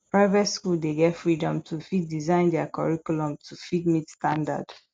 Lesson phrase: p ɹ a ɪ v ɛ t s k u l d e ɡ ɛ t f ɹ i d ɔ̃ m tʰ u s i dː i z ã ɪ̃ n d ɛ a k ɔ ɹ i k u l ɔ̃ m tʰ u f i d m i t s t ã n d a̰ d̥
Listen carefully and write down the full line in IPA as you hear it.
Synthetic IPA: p ɹ a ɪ v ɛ t s k u l d e ɡ ɛ t f ɹ i d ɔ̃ m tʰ u f i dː i z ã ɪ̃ n d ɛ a k ɔ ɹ i k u l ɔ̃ m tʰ u f i d m i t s t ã n d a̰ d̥